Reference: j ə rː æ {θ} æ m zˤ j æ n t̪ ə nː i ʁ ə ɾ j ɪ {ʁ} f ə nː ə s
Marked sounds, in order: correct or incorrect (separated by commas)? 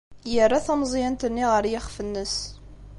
correct, incorrect